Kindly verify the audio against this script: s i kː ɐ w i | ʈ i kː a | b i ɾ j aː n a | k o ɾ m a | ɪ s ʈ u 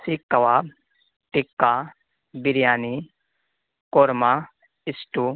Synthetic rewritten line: s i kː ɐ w a | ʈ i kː a | b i ɾ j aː n i | k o ɾ m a | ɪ s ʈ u